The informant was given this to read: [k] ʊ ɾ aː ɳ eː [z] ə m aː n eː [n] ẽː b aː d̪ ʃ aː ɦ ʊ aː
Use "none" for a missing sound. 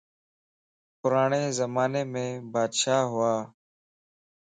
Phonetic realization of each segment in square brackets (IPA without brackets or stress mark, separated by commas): p, z, m